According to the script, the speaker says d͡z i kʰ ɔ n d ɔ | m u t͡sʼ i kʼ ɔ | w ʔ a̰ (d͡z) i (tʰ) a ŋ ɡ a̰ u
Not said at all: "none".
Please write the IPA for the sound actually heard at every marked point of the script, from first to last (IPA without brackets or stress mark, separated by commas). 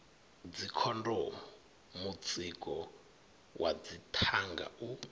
d͡z, tʰ